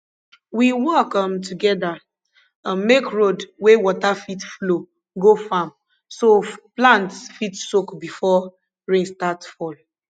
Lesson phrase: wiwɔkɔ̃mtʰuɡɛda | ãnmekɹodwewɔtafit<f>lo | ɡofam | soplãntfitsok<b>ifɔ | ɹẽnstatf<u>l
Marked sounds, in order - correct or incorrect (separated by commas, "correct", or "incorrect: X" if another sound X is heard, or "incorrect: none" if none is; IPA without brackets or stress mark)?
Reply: correct, correct, incorrect: ɔ